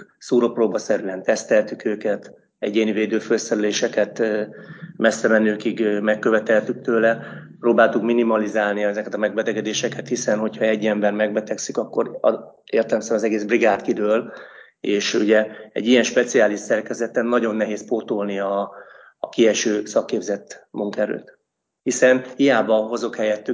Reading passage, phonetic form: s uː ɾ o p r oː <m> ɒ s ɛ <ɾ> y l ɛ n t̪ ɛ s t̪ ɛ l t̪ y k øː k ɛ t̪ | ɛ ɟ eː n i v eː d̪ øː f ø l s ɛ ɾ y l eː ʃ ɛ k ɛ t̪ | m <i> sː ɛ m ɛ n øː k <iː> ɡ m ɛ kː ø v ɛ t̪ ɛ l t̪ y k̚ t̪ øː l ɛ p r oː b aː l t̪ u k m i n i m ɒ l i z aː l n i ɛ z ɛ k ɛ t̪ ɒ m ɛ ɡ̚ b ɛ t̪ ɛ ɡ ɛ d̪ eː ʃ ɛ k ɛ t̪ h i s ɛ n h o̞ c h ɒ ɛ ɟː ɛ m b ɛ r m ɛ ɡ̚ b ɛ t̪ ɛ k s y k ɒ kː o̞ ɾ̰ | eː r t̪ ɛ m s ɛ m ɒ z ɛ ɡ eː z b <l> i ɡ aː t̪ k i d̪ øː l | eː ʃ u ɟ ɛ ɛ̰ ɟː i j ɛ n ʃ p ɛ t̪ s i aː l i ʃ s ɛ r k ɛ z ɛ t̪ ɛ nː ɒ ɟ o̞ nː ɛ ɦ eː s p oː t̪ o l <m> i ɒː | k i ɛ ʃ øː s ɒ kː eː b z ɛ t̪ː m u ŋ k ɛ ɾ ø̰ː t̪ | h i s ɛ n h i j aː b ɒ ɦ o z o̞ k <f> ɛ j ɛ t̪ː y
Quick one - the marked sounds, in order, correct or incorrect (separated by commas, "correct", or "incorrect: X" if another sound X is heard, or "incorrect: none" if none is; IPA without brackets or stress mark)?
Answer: incorrect: b, correct, incorrect: ɛ, incorrect: i, incorrect: r, incorrect: n, incorrect: h